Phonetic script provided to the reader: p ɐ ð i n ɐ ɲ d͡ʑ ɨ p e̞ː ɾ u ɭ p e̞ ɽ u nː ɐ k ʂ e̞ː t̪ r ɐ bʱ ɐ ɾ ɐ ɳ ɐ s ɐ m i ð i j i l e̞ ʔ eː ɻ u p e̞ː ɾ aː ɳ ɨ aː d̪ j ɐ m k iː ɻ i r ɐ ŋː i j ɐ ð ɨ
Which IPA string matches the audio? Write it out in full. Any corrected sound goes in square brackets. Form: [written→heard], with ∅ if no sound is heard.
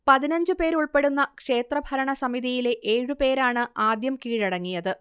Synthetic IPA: p ɐ ð i n ɐ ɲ d͡ʑ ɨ p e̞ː ɾ u ɭ p e̞ ɽ u nː ɐ k ʂ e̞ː t̪ r ɐ bʱ ɐ ɾ ɐ ɳ ɐ s ɐ m i ð i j i l e̞ ʔ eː ɻ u p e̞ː ɾ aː ɳ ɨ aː d̪ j ɐ m k iː ɻ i [r→ɽ] ɐ ŋː i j ɐ ð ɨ